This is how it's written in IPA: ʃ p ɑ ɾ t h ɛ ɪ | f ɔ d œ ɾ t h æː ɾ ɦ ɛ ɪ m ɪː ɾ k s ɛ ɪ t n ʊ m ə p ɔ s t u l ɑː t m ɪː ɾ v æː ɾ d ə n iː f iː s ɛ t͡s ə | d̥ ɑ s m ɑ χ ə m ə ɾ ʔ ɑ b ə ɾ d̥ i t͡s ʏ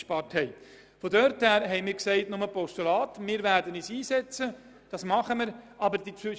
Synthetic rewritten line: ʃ p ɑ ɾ t h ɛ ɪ | f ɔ d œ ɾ t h æː ɾ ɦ ɛ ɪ m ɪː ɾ k s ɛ ɪ t n ʊ m ə p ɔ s t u l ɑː t m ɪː ɾ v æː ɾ d ə n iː s iː s ɛ t͡s ə | d̥ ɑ s m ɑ χ ə m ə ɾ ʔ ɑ b ə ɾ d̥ i t͡s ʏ